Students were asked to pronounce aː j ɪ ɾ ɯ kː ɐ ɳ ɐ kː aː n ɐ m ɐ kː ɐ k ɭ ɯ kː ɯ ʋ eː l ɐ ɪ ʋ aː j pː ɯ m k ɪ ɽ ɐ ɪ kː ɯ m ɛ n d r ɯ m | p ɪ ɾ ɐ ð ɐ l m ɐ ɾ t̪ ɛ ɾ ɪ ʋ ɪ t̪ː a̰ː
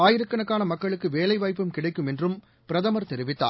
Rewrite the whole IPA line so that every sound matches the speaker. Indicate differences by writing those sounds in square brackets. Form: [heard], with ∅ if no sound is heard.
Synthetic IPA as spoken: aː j ɪ ɾ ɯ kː ɐ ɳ ɐ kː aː n ɐ m ɐ kː ɐ [∅] ɭ ɯ kː ɯ ʋ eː l ɐ ɪ ʋ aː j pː ɯ m k ɪ ɽ ɐ ɪ kː ɯ m ɛ n d r ɯ m | p ɪ ɾ ɐ ð ɐ [∅] m ɐ ɾ t̪ ɛ ɾ ɪ ʋ ɪ t̪ː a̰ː